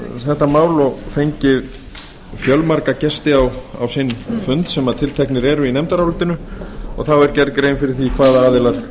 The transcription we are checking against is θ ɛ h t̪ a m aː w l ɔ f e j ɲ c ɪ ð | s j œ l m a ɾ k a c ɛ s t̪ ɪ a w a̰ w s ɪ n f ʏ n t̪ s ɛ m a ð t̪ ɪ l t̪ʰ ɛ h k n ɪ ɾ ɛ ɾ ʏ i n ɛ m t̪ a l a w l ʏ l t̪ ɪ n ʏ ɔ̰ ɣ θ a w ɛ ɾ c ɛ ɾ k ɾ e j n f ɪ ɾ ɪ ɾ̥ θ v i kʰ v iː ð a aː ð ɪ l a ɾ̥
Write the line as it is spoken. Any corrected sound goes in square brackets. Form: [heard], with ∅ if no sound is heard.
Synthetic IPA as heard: θ ɛ h t̪ a m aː w l ɔ f e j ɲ c ɪ ð | [f] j œ l m a ɾ k a c ɛ s t̪ ɪ a w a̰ w s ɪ n f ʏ n t̪ s ɛ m a ð [t̪ʰ] ɪ l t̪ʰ ɛ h k n ɪ ɾ ɛ ɾ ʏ i n ɛ m t̪ a [ɾ] a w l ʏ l t̪ ɪ n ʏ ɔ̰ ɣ θ a w ɛ ɾ c ɛ ɾ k ɾ e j n f ɪ ɾ ɪ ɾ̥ θ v i kʰ v [aː] ð a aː ð ɪ l a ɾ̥